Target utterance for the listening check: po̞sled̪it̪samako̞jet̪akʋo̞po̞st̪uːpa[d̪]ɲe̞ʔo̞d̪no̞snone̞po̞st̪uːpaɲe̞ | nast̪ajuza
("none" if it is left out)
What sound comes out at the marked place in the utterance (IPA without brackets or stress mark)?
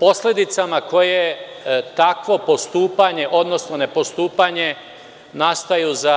none